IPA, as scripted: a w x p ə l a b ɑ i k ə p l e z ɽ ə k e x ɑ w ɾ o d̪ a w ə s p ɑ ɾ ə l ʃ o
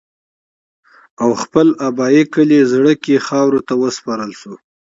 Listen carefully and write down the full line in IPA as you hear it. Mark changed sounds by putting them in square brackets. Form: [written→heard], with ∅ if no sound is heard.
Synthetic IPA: a w x p ə l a b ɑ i k ə [p→∅] l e z ɽ ə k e x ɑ w ɾ o [d̪→t̪] a w ə s p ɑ ɾ ə l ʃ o